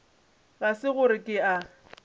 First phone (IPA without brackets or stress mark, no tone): ɣ